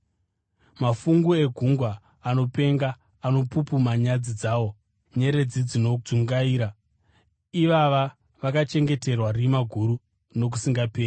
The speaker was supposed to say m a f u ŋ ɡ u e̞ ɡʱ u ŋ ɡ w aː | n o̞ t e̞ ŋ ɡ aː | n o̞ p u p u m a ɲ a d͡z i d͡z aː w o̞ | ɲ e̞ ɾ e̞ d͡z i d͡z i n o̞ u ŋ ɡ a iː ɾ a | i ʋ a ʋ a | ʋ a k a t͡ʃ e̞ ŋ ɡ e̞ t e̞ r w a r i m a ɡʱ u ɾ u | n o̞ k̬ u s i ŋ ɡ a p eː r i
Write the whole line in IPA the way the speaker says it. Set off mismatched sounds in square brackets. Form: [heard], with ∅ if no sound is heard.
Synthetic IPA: m a f u ŋ ɡ u e̞ ɡʱ u ŋ ɡ w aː | n o̞ [p] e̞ ŋ ɡ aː | n o̞ p u p u m a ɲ a d͡z i d͡z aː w o̞ | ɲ e̞ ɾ e̞ d͡z i d͡z i n o̞ u ŋ ɡ a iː ɾ a | i ʋ a ʋ a | ʋ a k a t͡ʃ e̞ ŋ ɡ e̞ t e̞ r w a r i m a ɡʱ u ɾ u | n o̞ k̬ u s i ŋ ɡ a p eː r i